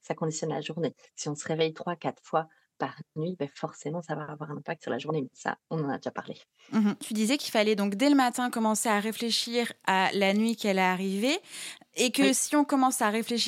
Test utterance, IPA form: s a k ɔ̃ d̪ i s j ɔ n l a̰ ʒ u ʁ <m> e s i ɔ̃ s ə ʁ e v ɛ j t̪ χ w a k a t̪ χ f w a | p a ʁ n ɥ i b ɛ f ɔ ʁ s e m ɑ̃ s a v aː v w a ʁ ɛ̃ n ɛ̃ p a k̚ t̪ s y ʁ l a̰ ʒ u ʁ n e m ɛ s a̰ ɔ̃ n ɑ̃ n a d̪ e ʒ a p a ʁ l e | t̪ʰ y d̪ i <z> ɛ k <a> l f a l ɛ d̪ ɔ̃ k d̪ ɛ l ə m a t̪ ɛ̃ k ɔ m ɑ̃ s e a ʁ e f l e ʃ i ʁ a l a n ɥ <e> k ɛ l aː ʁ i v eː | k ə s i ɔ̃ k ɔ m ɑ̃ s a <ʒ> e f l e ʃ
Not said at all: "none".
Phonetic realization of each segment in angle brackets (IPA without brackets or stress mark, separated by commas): n, z, i, i, ʁ